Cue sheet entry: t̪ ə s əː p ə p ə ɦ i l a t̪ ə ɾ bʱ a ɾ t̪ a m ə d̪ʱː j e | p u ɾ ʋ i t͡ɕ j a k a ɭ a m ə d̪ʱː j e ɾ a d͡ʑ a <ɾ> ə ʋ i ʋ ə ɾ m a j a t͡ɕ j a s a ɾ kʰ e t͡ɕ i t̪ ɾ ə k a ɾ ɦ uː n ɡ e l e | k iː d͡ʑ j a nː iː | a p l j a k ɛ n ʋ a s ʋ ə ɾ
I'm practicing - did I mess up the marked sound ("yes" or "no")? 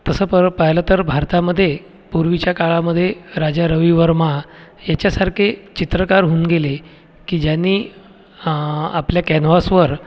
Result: no